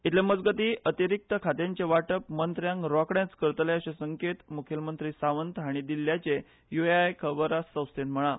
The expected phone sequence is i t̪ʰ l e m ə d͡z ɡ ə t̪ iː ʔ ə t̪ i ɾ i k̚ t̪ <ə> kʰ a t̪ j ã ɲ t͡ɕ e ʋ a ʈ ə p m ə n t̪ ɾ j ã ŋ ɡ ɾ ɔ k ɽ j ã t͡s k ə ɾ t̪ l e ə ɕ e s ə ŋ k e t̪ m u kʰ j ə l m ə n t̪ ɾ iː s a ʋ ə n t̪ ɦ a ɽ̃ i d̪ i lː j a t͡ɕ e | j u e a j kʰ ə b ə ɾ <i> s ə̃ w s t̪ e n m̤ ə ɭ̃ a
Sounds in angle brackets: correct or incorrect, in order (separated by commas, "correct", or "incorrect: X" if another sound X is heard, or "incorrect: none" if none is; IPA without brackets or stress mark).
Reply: correct, incorrect: a